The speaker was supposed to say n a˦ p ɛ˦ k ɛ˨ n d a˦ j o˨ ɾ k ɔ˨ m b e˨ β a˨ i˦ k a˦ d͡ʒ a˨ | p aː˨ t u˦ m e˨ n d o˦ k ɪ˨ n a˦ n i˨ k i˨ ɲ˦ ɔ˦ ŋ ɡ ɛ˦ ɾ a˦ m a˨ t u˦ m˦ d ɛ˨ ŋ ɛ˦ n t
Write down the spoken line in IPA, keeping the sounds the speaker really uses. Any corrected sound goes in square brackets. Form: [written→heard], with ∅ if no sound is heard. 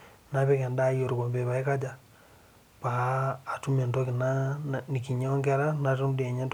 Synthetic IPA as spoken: n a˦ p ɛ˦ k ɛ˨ n d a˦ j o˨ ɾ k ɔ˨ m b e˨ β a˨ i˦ k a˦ d͡ʒ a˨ | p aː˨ t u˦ m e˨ n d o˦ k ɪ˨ n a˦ n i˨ k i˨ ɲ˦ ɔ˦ ŋ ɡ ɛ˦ ɾ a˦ [m→n] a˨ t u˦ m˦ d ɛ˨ [ŋ→ɲ] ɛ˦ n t